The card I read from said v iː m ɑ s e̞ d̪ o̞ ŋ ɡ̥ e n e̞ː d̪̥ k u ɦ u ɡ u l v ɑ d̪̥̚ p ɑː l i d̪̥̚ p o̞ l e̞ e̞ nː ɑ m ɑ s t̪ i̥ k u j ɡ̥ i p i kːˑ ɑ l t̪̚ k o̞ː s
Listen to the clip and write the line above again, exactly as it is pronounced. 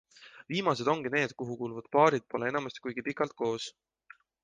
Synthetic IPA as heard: v iː m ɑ s e̞ d̪ o̞ ŋ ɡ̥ i n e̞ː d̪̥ k u ɦ u k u l v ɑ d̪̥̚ p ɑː ɾ i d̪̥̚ p o̞ l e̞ e̞ n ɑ m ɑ s t̪ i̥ k u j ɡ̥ i p i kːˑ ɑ l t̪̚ k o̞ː s